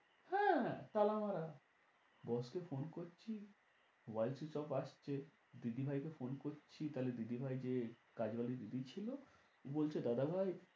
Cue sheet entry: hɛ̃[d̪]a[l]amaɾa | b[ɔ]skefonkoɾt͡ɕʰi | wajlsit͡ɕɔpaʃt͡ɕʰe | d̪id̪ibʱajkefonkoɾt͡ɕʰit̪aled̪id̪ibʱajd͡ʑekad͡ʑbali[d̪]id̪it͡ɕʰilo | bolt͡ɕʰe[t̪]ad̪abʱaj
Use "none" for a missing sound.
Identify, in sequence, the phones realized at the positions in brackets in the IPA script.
t̪, l, ɔ, d̪, d̪

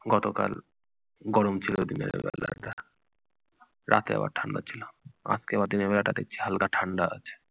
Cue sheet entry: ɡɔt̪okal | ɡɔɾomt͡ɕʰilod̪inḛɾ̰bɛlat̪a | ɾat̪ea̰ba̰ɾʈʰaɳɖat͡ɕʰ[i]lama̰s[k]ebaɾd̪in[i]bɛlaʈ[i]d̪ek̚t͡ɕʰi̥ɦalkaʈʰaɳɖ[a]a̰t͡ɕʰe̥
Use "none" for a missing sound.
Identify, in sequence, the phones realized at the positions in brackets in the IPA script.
i, k, e, a, a

